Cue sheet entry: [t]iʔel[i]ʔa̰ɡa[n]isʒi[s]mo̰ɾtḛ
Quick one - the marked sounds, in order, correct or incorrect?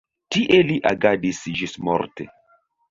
correct, correct, incorrect, correct

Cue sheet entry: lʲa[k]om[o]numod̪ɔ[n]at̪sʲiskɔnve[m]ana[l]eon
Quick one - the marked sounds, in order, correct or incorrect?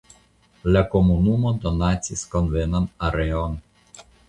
correct, incorrect, correct, incorrect, incorrect

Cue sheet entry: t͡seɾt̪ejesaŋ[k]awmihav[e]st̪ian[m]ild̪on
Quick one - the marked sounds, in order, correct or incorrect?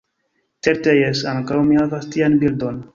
correct, incorrect, incorrect

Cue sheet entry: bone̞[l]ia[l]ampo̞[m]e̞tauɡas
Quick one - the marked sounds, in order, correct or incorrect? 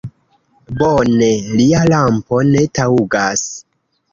correct, correct, incorrect

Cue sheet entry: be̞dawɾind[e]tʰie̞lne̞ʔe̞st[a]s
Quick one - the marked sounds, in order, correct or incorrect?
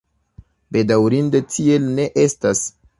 correct, correct

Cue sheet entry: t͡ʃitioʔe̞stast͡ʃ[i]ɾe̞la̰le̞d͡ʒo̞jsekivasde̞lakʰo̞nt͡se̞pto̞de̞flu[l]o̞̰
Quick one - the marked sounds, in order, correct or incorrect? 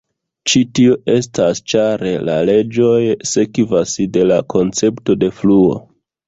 incorrect, incorrect

